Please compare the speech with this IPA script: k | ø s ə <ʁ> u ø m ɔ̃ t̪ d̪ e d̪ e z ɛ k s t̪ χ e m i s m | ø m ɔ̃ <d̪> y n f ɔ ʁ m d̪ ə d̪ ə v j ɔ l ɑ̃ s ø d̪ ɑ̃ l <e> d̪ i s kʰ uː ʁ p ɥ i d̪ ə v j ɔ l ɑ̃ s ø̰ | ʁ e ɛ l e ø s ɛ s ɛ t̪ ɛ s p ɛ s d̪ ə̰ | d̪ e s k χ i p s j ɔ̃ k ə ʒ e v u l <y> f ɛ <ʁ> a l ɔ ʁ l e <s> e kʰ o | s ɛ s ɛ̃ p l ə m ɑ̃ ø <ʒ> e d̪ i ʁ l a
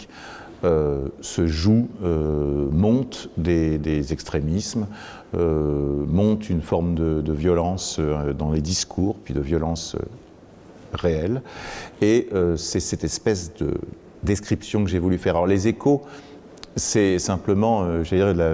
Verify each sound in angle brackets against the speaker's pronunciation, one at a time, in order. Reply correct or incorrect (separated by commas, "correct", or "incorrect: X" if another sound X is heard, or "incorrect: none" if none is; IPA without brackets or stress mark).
incorrect: ʒ, incorrect: t̪, correct, correct, correct, incorrect: z, correct